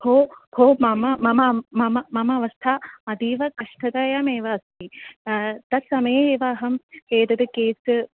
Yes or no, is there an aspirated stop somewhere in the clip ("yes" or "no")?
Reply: yes